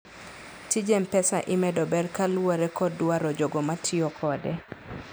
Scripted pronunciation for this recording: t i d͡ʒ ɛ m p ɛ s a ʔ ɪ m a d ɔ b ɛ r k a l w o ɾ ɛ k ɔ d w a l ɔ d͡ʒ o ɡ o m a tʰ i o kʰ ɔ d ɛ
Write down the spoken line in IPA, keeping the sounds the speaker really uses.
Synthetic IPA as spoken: t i d͡ʒ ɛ m p ɛ s a ʔ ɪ m ɛ d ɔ b ɛ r k a l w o ɾ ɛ k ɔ d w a ɾ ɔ d͡ʒ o ɡ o m a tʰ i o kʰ ɔ d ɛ